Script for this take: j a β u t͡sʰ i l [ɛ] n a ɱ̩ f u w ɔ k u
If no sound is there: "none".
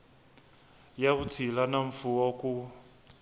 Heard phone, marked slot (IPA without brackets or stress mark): a